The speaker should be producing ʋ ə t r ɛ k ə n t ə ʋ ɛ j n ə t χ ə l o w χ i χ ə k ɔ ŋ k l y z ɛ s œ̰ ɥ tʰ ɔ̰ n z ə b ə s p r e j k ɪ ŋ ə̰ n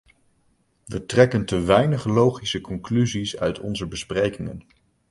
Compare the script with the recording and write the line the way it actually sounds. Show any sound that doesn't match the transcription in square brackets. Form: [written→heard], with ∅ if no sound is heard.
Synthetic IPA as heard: ʋ ə t r ɛ k ə n t ə ʋ ɛ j n ə [t→∅] χ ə l o w χ i [χ→s] ə k ɔ ŋ k l y z [ɛ→i] s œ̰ ɥ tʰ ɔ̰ n z ə b ə s p r e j k ɪ ŋ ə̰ n